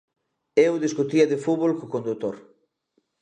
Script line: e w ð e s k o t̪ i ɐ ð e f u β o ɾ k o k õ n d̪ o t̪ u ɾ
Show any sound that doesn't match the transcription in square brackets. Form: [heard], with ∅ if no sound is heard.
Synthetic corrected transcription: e w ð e s k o t̪ i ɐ ð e f u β o [l] k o k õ n d̪ [u] t̪ [o] ɾ